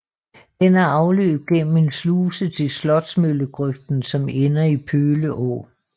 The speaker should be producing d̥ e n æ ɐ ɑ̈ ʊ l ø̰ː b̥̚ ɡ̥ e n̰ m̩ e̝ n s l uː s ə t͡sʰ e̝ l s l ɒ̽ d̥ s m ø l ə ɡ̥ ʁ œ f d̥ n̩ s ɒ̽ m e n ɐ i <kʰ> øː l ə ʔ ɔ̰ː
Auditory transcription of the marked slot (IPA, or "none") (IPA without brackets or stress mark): pʰ